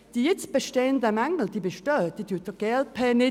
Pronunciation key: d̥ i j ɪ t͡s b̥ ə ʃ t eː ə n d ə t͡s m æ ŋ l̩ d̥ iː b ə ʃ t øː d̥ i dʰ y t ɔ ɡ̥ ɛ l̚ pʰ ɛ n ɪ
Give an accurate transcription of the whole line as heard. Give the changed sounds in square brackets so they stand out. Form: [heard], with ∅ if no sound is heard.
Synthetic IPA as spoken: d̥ i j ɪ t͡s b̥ ə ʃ t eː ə n d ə [∅] m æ ŋ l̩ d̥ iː b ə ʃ t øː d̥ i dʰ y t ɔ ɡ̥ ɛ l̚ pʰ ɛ n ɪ